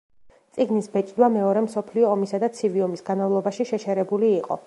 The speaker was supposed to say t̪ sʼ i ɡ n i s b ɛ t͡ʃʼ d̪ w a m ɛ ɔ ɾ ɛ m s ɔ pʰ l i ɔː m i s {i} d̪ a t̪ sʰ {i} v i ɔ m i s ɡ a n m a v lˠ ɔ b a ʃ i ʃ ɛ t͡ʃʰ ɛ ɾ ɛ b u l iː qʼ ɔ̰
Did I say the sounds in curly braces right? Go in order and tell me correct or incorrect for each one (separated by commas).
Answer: incorrect, correct